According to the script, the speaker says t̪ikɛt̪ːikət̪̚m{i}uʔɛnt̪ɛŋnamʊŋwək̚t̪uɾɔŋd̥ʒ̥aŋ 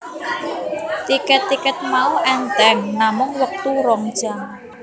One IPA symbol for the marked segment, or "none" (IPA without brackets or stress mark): a